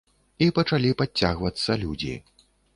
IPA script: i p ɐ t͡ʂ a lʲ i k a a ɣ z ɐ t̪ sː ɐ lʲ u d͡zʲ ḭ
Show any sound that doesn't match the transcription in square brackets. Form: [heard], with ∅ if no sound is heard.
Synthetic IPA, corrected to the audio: i p ɐ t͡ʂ a lʲ i [p] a a ɣ [v] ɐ t̪ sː ɐ lʲ u d͡zʲ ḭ